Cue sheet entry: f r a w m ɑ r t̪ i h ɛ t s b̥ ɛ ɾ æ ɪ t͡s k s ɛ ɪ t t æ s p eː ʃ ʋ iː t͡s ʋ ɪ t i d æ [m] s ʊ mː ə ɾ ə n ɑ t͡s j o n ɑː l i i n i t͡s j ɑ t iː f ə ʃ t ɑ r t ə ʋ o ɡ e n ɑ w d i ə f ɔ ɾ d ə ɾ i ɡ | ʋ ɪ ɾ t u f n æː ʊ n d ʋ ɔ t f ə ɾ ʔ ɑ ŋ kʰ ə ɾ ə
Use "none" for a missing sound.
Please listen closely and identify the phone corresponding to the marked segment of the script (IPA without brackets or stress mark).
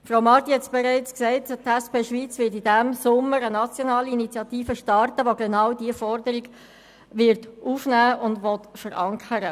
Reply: m